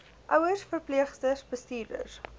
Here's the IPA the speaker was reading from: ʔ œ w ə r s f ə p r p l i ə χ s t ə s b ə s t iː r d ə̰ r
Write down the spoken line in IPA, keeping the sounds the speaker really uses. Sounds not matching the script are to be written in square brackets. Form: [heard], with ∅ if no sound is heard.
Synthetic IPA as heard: ʔ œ w ə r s f ə [∅] r p l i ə χ s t ə s b ə s t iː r d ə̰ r

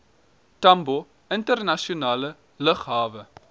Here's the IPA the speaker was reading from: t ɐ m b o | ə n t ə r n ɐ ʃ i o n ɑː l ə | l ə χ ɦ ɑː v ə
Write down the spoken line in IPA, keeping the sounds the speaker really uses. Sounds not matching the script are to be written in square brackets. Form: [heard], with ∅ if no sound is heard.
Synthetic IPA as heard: t ɐ m b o | ə n t ə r n ɐ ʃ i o n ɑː l ə | l ə χ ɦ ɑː v ə

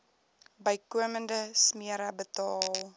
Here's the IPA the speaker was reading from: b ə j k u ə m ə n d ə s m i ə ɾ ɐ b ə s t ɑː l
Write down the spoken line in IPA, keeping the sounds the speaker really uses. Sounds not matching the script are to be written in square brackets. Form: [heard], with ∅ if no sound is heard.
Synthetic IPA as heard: b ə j k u ə m ə n d ə s m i ə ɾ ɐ b ə [∅] t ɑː l

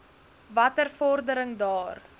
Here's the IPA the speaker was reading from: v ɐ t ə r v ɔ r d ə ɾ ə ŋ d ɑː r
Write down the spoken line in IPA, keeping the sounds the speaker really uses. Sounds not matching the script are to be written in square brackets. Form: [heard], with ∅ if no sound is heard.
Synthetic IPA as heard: v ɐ t ə r [f] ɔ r d ə ɾ ə ŋ d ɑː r

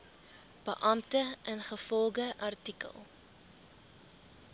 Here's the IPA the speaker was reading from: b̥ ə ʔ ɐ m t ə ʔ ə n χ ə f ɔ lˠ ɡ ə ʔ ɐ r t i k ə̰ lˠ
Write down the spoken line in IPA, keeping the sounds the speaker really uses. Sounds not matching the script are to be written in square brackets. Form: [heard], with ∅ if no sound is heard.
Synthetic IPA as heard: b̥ ə ʔ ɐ m t ə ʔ ə n χ ə f ɔ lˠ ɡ ə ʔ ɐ r t i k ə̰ lˠ

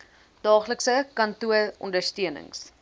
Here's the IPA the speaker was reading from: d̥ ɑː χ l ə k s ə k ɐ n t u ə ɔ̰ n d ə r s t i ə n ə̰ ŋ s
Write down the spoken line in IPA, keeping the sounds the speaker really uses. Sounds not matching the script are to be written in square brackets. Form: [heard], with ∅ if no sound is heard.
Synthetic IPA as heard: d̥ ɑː χ l ə k s ə k ɐ n t u ə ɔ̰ n d ə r s t i ə n ə̰ ŋ s

